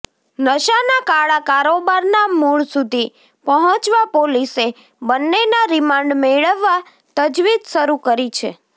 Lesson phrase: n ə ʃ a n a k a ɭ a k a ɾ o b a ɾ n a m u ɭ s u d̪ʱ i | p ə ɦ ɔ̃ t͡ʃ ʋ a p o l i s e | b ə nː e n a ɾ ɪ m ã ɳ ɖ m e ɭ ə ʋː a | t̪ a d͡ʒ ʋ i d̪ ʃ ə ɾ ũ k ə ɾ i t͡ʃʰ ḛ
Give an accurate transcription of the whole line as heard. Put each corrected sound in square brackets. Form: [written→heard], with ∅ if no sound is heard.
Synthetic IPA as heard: n ə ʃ a n a k a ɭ a k a ɾ o b a ɾ n a m u ɭ s u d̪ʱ i | p ə ɦ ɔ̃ t͡ʃ ʋ a p o l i s e | b ə nː e n a ɾ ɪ m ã ɳ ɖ m e ɭ ə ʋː a | t̪ [a→ə] d͡ʒ ʋ i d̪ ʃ ə ɾ [ũ→u] k ə ɾ i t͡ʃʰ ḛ